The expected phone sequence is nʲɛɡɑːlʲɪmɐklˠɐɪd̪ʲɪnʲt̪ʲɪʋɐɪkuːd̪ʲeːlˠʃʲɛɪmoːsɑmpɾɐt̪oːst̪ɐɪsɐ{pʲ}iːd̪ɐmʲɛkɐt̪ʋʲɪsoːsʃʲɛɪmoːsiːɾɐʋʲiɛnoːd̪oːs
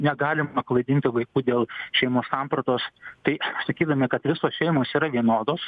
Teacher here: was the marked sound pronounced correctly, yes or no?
no